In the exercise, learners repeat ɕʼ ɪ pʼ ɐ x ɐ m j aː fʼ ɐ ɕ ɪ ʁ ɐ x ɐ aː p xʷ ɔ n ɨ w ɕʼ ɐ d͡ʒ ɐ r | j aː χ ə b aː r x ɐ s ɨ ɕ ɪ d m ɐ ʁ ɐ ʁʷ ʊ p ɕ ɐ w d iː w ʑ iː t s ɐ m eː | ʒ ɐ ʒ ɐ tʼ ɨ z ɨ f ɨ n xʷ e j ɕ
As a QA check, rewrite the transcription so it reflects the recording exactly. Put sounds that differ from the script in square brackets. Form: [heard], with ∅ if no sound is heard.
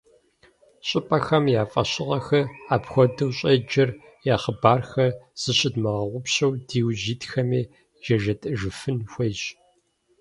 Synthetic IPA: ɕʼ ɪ pʼ ɐ x ɐ m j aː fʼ ɐ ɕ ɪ ʁ ɐ x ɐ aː p xʷ ɔ [d] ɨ w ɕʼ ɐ d͡ʒ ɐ r | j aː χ ə b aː r x ɐ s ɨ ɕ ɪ d m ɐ ʁ ɐ ʁʷ ʊ p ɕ ɐ w d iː w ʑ iː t [x] ɐ m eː | ʒ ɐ ʒ ɐ tʼ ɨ [ʒ] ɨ f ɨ n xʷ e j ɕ

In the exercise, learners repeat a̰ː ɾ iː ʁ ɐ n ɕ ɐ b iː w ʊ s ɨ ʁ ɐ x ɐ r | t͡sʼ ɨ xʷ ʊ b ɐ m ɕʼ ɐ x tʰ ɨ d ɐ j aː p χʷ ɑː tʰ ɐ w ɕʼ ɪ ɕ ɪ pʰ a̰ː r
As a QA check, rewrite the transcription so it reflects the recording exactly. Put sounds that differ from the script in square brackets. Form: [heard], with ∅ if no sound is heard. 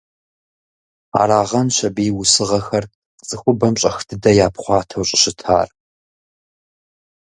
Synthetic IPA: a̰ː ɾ [aː] ʁ ɐ n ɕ ɐ b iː w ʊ s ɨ ʁ ɐ x ɐ r | t͡sʼ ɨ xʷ ʊ b ɐ m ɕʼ ɐ x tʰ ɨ d ɐ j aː p χʷ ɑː tʰ ɐ w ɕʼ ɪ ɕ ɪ [tʰ] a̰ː r

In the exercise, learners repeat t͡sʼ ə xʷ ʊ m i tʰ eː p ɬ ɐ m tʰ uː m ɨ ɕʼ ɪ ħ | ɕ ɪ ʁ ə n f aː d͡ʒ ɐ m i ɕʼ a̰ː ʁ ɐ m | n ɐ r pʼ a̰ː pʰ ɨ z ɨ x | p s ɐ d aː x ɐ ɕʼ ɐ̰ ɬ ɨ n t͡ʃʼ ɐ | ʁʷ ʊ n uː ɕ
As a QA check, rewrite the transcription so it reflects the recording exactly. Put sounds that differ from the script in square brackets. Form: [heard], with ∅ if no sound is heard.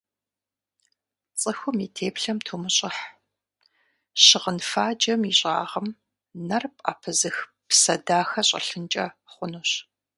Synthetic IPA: t͡sʼ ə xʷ ʊ m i tʰ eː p ɬ ɐ m tʰ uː m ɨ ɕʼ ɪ ħ | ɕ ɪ ʁ ə n f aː d͡ʒ ɐ m i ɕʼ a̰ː ʁ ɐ m | n ɐ r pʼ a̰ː pʰ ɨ z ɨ x | p s ɐ d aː x ɐ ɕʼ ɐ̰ ɬ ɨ n t͡ʃʼ ɐ | [χʷ] ʊ n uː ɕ

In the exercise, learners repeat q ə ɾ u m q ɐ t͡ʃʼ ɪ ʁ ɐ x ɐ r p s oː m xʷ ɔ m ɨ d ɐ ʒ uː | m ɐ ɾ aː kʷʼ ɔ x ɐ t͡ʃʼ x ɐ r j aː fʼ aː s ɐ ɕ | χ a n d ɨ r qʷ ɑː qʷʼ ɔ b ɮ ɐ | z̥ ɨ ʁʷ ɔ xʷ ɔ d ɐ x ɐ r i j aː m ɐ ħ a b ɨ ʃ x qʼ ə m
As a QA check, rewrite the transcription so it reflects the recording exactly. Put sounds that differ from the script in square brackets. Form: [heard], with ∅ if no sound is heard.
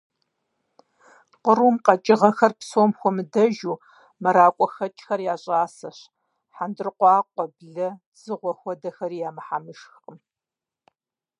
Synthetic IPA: q ə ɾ u m q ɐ t͡ʃʼ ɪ ʁ ɐ x ɐ r p s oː m xʷ ɔ m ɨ d ɐ ʒ uː | m ɐ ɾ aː kʷʼ ɔ x ɐ t͡ʃʼ x ɐ r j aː [ɕʼ] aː s ɐ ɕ | [ħ] a n d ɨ r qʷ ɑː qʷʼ ɔ b ɮ ɐ | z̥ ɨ ʁʷ ɔ xʷ ɔ d ɐ x ɐ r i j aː m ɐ ħ a [m] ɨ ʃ x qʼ ə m

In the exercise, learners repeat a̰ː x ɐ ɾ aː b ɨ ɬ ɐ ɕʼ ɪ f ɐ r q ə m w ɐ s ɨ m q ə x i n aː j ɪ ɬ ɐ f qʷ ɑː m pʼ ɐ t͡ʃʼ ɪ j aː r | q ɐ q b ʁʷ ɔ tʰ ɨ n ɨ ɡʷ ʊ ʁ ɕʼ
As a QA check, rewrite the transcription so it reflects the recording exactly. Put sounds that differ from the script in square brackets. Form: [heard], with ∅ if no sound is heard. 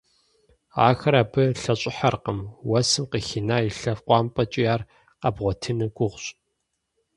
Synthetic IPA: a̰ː x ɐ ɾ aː b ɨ ɬ ɐ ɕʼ ɪ [ħ] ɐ r q ə m w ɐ s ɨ m q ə x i n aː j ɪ ɬ ɐ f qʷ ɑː m pʼ ɐ t͡ʃʼ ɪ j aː r | q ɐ [∅] b ʁʷ ɔ tʰ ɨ n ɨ ɡʷ ʊ ʁ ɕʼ

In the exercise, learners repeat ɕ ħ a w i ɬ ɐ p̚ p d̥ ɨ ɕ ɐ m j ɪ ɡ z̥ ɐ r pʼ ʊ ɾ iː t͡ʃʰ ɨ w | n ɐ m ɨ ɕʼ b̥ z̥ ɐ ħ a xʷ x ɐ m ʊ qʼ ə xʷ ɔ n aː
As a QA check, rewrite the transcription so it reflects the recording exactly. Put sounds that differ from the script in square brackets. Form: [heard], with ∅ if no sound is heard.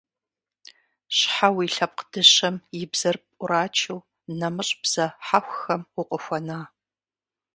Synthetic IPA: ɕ ħ a w i ɬ ɐ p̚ [q] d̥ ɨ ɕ ɐ m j ɪ [b] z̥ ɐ r pʼ ʊ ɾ [aː] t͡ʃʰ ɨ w | n ɐ m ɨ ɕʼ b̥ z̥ ɐ ħ a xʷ x ɐ m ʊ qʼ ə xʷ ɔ n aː

